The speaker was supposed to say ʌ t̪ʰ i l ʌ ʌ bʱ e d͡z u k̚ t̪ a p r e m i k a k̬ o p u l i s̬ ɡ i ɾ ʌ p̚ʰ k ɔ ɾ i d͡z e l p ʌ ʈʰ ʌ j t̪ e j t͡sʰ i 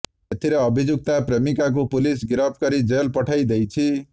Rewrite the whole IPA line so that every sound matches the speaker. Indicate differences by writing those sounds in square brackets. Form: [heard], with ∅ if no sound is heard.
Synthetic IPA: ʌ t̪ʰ i [ɾ] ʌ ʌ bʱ [i] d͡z u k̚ t̪ a p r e m i k a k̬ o p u l i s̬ ɡ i ɾ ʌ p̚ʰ k [ʌ] ɾ i d͡z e l p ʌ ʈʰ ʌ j [d̪] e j t͡sʰ i